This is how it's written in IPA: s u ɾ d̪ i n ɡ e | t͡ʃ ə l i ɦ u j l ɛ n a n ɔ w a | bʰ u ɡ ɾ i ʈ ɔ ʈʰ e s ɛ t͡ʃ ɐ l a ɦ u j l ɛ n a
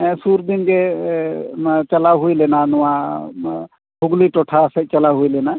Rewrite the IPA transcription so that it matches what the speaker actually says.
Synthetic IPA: s u ɾ d̪ i n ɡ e | t͡ʃ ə l a ɦ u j l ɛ n a n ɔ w a | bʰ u ɡ l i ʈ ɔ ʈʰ a s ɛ t͡ʃ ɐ l a ɦ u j l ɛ n a